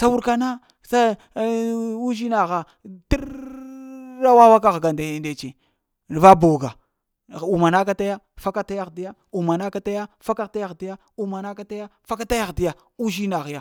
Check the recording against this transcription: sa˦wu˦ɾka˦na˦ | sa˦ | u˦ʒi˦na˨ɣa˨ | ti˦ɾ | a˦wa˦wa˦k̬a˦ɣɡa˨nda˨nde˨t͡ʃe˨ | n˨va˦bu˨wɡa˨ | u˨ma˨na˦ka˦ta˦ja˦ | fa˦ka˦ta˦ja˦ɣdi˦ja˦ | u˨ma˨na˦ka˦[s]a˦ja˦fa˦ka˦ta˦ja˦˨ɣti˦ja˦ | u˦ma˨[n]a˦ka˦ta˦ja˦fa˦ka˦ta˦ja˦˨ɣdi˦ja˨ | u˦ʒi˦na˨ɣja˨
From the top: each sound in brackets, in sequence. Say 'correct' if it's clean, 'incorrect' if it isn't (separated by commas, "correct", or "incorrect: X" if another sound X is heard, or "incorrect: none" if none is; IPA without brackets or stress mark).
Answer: incorrect: t, correct